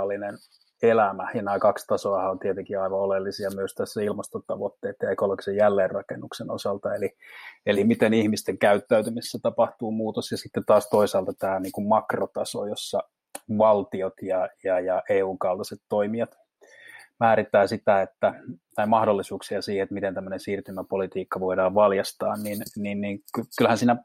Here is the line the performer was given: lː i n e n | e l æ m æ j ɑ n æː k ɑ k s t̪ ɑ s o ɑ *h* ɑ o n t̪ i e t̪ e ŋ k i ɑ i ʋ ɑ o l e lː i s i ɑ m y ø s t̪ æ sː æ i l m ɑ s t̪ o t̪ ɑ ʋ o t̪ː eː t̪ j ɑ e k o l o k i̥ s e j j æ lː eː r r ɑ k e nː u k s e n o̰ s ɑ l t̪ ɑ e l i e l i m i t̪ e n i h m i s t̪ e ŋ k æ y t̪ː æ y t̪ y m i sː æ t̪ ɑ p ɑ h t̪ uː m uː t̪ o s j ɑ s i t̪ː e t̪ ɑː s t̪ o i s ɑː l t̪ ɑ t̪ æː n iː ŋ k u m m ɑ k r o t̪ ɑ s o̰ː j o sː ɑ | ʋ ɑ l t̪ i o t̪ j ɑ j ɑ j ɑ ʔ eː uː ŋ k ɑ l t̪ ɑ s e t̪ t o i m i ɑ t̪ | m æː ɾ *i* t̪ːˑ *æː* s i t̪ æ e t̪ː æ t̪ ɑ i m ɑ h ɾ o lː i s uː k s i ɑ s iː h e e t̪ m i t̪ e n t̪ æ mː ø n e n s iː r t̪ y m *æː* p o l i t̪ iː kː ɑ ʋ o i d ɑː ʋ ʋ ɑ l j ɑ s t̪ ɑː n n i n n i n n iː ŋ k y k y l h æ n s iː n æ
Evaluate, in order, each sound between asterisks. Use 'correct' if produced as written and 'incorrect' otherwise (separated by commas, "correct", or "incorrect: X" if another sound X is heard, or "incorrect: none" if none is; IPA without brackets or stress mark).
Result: correct, correct, correct, incorrect: æ